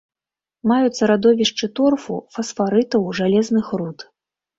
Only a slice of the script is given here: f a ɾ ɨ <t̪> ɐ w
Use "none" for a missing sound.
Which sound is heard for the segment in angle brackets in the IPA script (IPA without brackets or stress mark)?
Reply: t̪